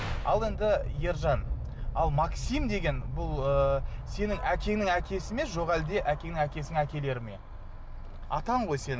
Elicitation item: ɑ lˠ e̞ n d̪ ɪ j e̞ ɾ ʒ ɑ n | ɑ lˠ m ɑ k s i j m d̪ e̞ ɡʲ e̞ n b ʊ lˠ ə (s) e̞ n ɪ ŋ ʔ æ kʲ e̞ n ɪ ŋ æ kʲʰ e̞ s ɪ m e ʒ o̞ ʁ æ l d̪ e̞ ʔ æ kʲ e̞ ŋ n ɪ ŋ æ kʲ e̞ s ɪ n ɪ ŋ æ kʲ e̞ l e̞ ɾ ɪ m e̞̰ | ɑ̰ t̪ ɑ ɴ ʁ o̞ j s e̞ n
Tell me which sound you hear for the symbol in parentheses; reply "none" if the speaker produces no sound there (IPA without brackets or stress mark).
s